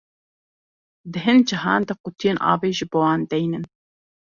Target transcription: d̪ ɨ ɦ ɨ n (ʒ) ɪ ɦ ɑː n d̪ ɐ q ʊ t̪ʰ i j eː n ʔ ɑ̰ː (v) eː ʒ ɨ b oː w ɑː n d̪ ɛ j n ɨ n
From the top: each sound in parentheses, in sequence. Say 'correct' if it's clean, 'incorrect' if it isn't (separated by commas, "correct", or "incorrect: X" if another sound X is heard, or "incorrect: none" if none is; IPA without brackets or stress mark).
incorrect: d͡ʒ, correct